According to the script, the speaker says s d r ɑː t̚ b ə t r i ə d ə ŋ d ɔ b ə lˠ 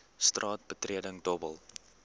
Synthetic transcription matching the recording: s t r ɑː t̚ b ə t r i ə d ə ŋ d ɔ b ə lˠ